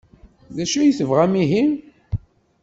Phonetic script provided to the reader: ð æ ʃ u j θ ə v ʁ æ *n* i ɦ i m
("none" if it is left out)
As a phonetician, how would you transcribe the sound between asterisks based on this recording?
m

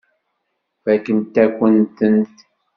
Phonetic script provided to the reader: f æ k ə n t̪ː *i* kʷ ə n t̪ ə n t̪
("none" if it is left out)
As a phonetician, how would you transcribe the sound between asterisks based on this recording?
æ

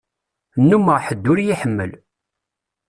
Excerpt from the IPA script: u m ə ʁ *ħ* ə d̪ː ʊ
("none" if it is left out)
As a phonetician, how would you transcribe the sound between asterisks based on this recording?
ħ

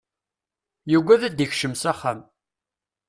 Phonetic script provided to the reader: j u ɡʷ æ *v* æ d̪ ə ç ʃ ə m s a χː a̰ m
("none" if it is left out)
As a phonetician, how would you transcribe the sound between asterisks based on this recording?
ð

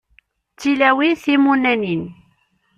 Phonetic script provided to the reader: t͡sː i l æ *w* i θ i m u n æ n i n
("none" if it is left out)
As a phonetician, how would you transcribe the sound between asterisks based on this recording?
w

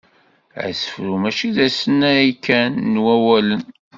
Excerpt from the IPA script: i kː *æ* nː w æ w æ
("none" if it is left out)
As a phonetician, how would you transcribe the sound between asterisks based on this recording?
æ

